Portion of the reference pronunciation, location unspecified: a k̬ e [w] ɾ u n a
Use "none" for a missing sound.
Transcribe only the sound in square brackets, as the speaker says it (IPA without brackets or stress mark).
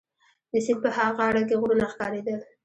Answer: ɣ